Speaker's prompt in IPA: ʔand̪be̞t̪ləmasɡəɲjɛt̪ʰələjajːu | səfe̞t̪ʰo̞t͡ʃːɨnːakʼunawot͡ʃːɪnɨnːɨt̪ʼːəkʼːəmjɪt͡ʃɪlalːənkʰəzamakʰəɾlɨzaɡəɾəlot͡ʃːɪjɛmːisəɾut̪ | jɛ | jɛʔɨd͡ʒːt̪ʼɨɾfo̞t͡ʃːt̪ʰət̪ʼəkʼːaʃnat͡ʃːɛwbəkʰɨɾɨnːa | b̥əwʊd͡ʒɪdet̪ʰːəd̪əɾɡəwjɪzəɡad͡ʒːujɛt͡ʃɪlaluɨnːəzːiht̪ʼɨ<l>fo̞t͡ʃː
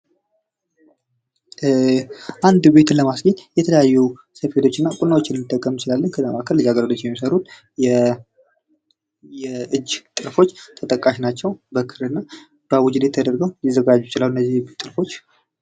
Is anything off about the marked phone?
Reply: yes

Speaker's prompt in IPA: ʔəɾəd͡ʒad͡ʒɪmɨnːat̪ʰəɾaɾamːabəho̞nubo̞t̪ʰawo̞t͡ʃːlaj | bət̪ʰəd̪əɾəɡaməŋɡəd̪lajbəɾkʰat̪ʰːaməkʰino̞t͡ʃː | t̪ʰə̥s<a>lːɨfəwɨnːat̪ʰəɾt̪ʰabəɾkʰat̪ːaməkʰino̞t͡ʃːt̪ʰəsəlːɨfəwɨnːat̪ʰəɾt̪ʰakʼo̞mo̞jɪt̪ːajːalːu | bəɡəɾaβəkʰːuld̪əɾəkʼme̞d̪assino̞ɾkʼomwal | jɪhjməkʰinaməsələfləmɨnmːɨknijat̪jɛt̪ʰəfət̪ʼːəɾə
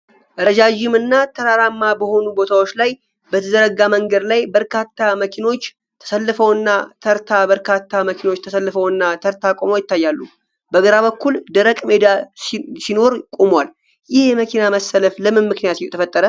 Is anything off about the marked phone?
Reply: yes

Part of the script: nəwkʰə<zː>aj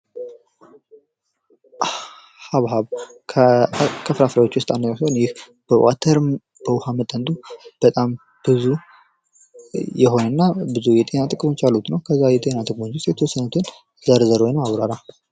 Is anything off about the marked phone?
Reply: no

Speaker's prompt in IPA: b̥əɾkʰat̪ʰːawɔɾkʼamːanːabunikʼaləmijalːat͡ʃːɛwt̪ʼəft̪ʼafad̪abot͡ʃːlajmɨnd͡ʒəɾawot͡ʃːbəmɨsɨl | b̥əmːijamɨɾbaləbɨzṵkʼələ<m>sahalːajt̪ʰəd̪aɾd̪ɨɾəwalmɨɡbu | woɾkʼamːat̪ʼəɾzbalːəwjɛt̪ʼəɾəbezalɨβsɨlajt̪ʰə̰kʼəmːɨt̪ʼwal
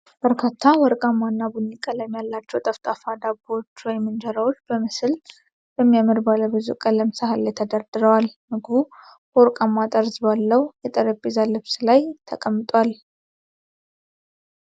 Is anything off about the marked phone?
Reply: no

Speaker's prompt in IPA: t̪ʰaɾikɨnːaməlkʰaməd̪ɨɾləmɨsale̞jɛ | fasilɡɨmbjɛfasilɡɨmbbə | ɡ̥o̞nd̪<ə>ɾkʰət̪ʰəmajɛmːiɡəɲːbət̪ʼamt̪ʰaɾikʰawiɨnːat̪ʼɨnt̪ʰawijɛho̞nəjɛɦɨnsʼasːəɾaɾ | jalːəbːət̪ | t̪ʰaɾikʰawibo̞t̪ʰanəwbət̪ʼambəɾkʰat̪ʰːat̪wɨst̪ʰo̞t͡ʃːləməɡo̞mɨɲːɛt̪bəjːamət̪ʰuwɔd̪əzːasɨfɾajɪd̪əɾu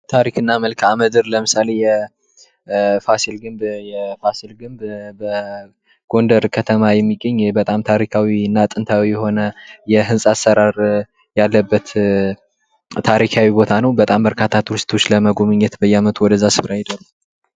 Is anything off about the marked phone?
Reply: no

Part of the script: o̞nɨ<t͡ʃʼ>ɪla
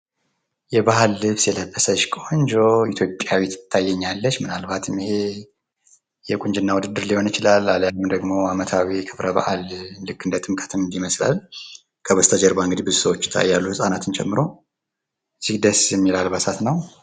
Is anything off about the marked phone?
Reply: yes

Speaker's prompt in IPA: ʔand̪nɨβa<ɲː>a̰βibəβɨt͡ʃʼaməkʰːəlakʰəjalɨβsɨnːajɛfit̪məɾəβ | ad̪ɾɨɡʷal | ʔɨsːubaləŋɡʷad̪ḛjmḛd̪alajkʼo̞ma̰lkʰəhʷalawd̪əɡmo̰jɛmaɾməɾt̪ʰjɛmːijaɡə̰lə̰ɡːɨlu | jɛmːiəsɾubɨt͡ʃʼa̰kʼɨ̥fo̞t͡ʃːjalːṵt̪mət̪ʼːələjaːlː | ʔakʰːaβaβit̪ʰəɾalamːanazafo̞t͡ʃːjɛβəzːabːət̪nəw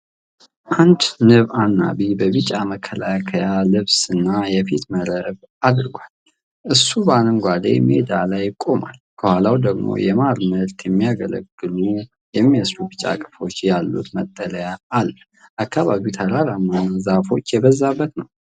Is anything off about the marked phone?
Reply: yes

